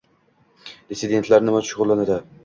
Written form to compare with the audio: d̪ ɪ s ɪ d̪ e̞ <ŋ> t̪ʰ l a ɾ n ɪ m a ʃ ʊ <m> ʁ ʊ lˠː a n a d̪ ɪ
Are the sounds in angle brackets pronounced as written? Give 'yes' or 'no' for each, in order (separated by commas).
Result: no, no